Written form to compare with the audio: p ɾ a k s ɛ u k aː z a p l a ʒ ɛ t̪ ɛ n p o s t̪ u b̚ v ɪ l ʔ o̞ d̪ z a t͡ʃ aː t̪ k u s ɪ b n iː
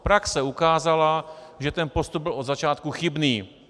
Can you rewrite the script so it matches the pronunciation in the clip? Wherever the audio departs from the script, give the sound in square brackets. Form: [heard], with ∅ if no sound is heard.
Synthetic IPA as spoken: p ɾ a k s ɛ u k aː z a [∅] l a ʒ ɛ t̪ ɛ n p o s t̪ u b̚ [b] ɪ l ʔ o̞ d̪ z a t͡ʃ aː t̪ k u [x] ɪ b n iː